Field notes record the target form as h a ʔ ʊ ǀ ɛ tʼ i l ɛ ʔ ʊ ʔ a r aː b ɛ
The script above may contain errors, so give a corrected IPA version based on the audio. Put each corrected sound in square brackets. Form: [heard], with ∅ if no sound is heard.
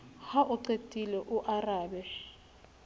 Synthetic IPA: h a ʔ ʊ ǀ [e] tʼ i l ɛ ʔ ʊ ʔ a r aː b ɛ